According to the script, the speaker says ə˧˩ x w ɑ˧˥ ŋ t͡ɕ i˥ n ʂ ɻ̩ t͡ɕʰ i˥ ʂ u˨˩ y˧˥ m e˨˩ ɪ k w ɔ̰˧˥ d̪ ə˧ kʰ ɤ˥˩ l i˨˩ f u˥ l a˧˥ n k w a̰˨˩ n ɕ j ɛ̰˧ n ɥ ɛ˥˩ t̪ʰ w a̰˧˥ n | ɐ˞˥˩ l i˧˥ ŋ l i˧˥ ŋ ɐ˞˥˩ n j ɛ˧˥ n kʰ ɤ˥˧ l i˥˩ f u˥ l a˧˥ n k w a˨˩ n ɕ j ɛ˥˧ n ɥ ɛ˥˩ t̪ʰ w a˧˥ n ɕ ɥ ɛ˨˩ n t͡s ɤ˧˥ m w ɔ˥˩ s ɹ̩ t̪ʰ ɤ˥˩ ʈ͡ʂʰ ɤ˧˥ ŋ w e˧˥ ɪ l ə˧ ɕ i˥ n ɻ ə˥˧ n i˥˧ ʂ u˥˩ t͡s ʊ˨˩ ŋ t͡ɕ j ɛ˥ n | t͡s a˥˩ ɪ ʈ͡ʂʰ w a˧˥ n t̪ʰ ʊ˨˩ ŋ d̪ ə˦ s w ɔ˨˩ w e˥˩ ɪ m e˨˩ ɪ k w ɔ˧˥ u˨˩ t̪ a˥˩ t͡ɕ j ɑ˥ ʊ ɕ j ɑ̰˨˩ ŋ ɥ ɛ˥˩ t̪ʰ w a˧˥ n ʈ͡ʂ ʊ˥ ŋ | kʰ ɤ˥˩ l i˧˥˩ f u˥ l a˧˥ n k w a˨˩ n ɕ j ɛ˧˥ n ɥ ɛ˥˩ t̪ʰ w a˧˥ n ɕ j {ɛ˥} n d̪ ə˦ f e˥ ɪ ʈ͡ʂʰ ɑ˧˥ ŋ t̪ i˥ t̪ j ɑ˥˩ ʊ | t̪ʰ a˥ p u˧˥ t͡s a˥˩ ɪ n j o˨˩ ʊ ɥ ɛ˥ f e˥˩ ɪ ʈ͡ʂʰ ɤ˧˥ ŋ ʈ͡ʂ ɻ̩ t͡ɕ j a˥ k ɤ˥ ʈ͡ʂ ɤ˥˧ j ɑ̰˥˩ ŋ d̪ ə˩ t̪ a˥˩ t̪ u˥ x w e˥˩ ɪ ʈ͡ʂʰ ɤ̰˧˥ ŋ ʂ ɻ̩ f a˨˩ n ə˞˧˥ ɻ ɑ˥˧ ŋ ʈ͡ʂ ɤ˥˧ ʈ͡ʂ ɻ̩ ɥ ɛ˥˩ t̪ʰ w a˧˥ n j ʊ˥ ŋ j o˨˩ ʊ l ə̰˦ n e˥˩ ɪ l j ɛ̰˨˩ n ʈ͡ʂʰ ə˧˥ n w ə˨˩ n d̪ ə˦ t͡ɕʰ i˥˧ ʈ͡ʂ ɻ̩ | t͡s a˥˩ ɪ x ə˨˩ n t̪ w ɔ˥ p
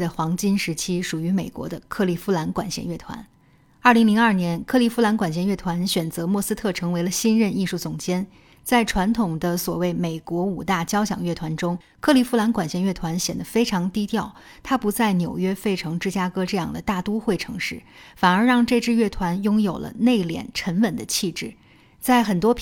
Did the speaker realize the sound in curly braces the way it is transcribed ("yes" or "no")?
no